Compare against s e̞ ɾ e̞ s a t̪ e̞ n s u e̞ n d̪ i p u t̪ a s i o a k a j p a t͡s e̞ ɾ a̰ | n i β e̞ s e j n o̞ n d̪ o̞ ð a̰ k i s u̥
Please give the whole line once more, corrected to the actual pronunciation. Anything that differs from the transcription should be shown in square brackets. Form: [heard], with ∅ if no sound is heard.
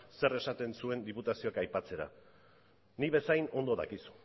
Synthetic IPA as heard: s e̞ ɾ e̞ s a t̪ e̞ n s u e̞ n d̪ i p u t̪ a s i o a k a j p a t͡s e̞ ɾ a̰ | n i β e̞ s [a] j n o̞ n d̪ o̞ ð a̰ k i s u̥